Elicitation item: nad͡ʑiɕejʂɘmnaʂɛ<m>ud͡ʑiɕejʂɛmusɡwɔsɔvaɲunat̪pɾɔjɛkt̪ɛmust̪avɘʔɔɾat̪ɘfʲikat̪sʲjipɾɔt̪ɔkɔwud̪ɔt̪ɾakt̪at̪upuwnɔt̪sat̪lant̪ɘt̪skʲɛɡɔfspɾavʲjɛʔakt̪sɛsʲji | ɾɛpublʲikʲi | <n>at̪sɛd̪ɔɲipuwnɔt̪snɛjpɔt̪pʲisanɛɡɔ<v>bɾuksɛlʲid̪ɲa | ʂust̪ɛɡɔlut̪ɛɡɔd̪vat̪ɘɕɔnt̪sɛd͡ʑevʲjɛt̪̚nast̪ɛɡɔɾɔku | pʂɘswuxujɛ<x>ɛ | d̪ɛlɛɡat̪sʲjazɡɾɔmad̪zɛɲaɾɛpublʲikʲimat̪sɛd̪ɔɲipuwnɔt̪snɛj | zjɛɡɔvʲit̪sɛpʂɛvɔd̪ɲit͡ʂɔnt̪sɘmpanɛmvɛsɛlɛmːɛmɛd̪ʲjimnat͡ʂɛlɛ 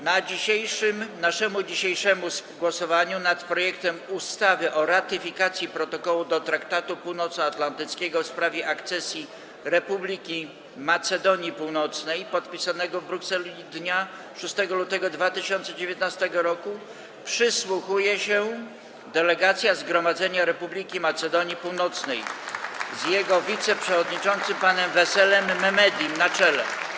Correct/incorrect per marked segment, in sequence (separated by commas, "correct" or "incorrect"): correct, incorrect, correct, incorrect